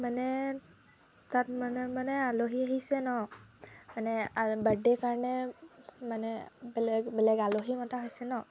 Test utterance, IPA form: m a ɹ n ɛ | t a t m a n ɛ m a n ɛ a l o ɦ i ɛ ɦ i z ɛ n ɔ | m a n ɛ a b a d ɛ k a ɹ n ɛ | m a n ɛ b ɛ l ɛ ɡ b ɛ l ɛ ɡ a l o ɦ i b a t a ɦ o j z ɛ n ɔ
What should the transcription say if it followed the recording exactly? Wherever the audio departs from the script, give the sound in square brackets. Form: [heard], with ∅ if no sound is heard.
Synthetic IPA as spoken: m a [∅] n ɛ | t a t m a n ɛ m a n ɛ a l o ɦ i [a] ɦ i [s] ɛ n ɔ | m a n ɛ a b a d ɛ k a ɹ n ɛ | m a n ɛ b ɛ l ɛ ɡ b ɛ l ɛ ɡ a l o ɦ i [m] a t a ɦ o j [s] ɛ n ɔ

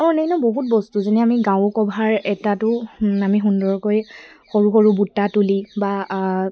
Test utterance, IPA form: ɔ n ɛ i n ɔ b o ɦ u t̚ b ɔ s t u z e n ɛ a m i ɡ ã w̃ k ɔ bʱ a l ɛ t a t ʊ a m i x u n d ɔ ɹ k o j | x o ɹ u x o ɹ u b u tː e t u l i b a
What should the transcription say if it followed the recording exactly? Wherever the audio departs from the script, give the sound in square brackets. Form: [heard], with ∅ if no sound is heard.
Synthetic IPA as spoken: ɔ n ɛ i n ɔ b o ɦ u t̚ b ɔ s t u z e n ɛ a m i ɡ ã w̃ k ɔ bʱ a [ɹ] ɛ t a t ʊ a m i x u n d ɔ ɹ k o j | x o ɹ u x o ɹ u b u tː [a] t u l i b a

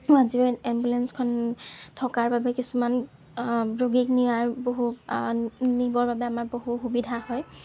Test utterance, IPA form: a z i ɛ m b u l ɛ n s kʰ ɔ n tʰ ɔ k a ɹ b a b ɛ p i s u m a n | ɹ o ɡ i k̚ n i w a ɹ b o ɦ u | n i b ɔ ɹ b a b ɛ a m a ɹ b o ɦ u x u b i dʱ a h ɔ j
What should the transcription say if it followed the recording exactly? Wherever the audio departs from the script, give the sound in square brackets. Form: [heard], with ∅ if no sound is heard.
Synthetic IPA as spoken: a z i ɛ m b u l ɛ n s kʰ ɔ n tʰ ɔ k a ɹ b a b ɛ [k] i s u m a n | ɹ o ɡ i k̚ n i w a ɹ b o ɦ u | n i b ɔ ɹ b a b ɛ a m a ɹ b o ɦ u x u b i dʱ a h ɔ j

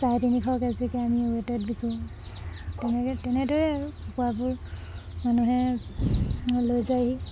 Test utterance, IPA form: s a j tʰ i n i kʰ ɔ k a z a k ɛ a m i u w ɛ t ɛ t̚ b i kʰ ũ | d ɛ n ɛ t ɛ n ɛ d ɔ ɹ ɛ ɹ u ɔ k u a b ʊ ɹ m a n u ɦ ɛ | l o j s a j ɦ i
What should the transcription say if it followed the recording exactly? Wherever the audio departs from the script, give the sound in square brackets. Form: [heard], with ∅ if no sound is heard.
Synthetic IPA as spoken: s a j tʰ i n i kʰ ɔ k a z [i] k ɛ a m i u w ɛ t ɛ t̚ b i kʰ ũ | [t] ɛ n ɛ t ɛ n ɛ d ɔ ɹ ɛ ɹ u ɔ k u a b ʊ ɹ m a n u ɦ ɛ | l o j [z] a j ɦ i

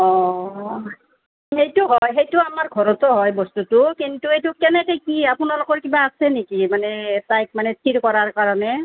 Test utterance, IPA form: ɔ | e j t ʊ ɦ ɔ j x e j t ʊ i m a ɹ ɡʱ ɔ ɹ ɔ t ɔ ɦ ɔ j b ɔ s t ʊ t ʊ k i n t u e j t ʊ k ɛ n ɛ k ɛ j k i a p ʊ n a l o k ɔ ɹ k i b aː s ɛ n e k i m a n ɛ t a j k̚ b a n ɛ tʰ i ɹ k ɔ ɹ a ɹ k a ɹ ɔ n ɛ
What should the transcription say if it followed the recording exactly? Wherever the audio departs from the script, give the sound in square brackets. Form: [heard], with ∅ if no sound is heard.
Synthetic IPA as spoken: ɔ | e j t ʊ ɦ ɔ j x e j t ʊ [a] m a ɹ ɡʱ ɔ ɹ ɔ t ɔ ɦ ɔ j b ɔ s t [u] t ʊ k i n t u e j t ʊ k ɛ n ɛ k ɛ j k i a p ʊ n a l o k ɔ ɹ k i b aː s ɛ n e k i m a n ɛ t a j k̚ [m] a n ɛ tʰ i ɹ k ɔ ɹ a ɹ k a ɹ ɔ n ɛ

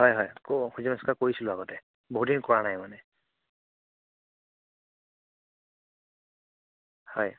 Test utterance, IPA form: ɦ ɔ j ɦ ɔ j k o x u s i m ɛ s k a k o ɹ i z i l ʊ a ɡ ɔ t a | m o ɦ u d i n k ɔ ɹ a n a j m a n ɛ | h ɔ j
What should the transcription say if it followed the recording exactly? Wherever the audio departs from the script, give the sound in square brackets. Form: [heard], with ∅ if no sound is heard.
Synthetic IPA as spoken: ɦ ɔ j ɦ ɔ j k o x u [z] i m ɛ s k a k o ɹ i [s] i l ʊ a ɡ ɔ t [ɛ] | [b] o ɦ u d i n k ɔ ɹ a n a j m a n ɛ | h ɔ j

